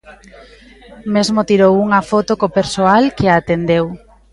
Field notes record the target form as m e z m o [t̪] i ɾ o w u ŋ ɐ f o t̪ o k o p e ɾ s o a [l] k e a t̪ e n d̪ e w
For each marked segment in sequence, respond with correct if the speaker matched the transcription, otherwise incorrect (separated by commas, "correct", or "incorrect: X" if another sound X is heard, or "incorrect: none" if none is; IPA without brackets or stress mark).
correct, correct